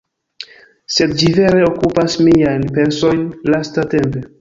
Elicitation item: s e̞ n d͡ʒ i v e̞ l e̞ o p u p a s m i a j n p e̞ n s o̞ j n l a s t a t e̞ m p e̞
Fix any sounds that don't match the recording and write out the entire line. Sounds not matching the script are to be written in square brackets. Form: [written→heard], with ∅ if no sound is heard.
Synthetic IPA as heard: s e̞ [n→d] d͡ʒ i v e̞ [l→ɾ] e̞ o [p→k] u p a s m i a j n p e̞ n s o̞ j n l a s t a t e̞ m p e̞